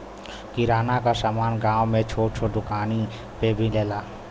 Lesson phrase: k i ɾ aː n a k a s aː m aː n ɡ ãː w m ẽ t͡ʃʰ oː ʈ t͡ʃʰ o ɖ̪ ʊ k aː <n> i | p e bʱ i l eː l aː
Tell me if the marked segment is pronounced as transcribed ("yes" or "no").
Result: yes